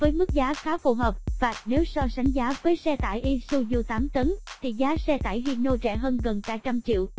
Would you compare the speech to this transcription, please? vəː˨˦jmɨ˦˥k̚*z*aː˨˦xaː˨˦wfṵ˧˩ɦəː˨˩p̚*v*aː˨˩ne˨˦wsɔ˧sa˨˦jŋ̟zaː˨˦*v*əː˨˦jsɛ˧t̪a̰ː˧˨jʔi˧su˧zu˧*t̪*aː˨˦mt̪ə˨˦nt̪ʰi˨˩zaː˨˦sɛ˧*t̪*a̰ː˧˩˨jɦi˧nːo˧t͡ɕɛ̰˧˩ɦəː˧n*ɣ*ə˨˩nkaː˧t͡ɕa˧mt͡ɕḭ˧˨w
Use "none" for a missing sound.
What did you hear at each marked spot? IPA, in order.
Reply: z, v, v, t̪, t̪, ɣ

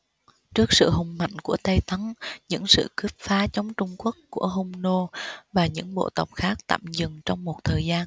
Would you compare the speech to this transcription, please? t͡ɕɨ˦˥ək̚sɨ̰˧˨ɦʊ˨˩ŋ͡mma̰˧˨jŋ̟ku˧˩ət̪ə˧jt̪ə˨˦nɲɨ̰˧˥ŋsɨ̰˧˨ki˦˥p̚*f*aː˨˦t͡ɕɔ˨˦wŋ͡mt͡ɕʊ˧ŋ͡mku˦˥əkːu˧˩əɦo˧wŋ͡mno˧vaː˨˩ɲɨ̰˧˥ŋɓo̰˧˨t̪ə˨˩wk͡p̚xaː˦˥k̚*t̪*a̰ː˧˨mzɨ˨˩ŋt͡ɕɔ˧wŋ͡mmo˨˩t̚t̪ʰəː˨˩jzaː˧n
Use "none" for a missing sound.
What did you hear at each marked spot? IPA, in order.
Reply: f, t̪

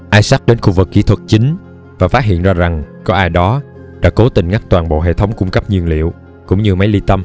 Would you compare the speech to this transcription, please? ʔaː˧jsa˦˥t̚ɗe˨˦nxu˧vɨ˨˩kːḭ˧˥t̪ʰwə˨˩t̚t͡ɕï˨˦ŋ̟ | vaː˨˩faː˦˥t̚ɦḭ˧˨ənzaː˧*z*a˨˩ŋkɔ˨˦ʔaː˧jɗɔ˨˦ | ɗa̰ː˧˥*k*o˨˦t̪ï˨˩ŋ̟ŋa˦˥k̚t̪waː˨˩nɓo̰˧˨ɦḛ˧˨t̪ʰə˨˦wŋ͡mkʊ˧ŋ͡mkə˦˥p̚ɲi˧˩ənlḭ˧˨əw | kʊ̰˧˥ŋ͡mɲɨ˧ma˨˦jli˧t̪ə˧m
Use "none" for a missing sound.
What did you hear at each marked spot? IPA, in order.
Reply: z, k

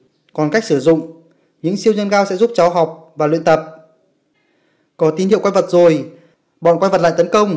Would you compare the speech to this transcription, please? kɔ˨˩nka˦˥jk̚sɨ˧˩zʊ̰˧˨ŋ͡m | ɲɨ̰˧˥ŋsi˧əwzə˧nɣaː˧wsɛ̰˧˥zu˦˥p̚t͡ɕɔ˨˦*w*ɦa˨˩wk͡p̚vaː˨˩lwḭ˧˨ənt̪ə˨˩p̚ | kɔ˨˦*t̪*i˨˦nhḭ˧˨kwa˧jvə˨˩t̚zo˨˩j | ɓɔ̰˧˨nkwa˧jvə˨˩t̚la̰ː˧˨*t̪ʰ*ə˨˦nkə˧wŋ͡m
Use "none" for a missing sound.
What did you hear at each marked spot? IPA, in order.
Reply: w, t̪, t̪

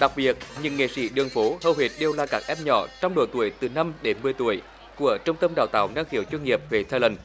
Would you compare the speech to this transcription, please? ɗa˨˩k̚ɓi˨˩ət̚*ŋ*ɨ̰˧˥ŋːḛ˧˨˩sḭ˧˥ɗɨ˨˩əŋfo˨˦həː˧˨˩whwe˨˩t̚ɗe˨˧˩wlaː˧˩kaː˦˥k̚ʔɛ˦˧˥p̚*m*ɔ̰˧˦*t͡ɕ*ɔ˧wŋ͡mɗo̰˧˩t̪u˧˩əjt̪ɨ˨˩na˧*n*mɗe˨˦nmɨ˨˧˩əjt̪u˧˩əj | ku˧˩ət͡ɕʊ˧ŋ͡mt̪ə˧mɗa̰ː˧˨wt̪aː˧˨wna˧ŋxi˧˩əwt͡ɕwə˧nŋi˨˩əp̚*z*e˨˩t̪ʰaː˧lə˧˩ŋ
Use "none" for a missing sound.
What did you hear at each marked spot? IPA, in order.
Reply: ɲ, ɲ, t͡ɕ, none, v

